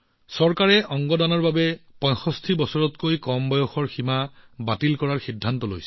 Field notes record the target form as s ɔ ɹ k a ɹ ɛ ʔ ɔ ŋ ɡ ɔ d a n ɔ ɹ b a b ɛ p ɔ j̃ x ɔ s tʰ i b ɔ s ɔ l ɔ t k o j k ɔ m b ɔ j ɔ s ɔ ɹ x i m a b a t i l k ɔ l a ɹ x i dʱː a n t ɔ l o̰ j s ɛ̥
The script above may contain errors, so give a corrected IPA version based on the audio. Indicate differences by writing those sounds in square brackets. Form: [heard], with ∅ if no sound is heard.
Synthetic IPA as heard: s ɔ ɹ k a ɹ ɛ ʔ ɔ ŋ ɡ ɔ d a n ɔ ɹ b a b ɛ p ɔ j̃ x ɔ s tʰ i b ɔ s ɔ [ɹ] ɔ t k o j k ɔ m b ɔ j ɔ [x] ɔ ɹ x i m a b a t i l k ɔ [ɹ] a ɹ x i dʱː a n t ɔ l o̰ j s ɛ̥